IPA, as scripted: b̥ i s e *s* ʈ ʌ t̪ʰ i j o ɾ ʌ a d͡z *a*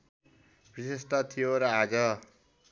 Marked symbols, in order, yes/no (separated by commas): yes, no